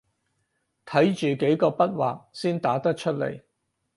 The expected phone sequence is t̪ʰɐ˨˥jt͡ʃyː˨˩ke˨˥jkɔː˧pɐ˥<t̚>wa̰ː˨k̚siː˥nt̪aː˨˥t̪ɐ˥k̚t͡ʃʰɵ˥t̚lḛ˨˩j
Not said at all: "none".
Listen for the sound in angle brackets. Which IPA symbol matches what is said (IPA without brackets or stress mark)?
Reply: t̚